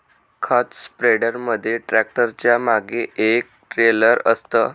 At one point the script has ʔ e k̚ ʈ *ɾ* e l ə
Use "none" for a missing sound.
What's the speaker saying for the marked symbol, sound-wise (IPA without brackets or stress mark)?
ɾ